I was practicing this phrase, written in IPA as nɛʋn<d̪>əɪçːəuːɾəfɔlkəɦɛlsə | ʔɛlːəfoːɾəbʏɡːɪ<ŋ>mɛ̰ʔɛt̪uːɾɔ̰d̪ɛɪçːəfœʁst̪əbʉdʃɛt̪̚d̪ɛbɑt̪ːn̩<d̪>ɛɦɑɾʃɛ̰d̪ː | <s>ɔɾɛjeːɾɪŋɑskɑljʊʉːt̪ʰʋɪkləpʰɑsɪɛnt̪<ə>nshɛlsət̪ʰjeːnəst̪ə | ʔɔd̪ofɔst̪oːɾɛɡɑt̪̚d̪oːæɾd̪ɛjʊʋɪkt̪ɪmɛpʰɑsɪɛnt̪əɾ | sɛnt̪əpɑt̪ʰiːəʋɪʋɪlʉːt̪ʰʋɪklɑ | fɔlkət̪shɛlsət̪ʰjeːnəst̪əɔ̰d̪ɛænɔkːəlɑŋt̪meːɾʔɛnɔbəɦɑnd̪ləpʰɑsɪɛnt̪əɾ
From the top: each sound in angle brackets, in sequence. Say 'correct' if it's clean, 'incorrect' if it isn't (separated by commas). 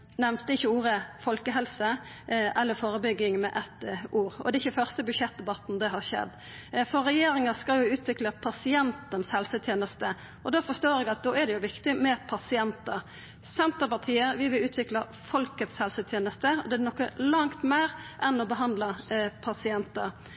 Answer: incorrect, correct, correct, incorrect, correct